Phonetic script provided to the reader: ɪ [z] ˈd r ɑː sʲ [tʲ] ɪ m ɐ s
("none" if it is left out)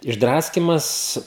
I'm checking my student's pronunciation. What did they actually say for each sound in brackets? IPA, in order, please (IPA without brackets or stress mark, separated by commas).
ʒ, kʲ